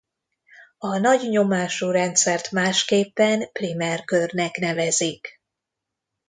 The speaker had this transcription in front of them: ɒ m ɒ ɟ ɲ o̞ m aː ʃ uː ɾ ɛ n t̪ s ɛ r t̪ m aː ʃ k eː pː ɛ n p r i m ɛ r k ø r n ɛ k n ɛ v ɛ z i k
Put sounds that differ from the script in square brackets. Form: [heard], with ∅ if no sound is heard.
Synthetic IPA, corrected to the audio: ɒ [n] ɒ ɟ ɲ o̞ m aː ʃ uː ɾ ɛ n t̪ s ɛ r t̪ m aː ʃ k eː pː ɛ n p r i m ɛ r k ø r n ɛ k n ɛ v ɛ z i k